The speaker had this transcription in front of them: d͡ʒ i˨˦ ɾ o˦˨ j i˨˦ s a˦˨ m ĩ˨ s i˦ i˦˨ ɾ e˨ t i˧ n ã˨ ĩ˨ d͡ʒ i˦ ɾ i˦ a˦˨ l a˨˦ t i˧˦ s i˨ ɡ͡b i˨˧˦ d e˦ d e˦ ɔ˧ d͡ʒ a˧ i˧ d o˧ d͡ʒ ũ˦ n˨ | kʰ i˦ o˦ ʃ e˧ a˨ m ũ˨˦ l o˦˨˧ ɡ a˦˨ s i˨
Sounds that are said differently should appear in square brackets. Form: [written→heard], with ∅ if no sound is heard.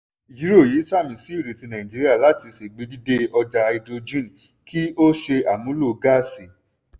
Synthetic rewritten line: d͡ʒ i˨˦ ɾ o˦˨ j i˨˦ s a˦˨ m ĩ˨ s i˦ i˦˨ ɾ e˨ t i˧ n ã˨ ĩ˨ d͡ʒ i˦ ɾ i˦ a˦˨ l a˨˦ t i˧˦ s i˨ ɡ͡b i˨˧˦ d [e˦→i˦] d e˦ ɔ˧ d͡ʒ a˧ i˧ d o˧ d͡ʒ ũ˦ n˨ | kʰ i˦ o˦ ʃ e˧ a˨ m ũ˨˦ l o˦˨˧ ɡ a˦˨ s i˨